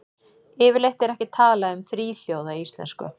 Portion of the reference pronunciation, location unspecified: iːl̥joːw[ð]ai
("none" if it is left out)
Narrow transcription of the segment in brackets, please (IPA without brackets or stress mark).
ð